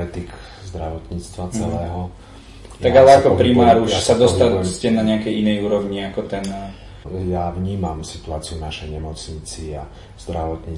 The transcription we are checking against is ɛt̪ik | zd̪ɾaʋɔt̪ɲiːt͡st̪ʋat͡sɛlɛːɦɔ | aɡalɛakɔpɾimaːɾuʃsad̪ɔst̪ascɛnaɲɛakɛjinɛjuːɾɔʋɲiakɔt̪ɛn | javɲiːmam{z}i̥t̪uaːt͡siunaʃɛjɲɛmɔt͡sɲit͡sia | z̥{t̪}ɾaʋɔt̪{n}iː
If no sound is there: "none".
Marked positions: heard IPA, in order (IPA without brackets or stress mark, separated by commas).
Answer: s, d̪, ɲ